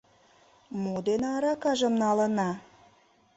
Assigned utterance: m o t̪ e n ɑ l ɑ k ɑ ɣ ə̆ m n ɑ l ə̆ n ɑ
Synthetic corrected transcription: m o d̪ e n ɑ ɾ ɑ k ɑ ʒ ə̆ m n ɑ l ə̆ n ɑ